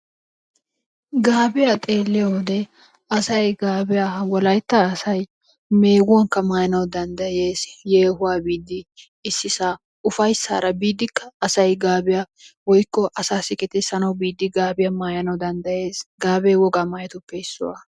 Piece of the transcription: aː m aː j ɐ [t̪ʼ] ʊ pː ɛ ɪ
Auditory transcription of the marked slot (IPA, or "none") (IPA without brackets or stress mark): t̪